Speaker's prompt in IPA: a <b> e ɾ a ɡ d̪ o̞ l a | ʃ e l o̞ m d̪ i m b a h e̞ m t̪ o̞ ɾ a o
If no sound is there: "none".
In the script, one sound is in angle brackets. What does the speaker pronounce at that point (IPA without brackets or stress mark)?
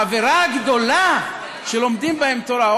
v